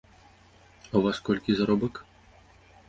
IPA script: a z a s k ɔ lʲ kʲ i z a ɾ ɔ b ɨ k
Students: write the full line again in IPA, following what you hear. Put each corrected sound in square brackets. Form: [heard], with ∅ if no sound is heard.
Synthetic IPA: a [v] a s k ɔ lʲ kʲ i z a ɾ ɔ b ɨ k